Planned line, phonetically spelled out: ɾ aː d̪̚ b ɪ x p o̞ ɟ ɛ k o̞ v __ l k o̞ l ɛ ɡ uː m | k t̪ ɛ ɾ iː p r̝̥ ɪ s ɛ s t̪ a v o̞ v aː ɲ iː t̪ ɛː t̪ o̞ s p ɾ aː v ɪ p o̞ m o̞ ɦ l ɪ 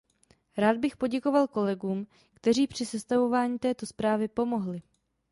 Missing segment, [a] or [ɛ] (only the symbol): a